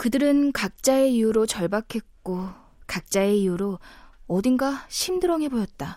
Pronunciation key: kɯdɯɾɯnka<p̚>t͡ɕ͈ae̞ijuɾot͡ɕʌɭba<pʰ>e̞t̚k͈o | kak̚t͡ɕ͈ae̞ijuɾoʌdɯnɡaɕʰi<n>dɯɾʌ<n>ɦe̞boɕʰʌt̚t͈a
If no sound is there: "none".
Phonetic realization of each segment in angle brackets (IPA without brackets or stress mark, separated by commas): k̚, kʰ, m, ŋ